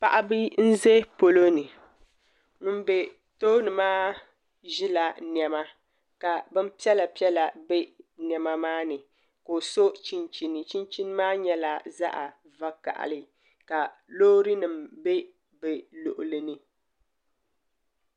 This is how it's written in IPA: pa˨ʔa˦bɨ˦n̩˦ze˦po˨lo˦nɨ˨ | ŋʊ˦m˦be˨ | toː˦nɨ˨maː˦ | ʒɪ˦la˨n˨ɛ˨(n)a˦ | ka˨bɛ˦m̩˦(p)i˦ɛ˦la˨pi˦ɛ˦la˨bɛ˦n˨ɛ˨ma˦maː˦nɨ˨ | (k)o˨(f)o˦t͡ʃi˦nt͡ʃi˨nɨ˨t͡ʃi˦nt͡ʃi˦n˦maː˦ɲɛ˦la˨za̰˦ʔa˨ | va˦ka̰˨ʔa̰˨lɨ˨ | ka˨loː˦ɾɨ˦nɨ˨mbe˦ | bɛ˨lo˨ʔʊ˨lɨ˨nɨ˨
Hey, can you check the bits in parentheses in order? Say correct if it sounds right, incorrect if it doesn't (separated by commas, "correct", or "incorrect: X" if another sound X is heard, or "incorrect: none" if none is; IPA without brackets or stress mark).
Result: incorrect: m, correct, correct, incorrect: s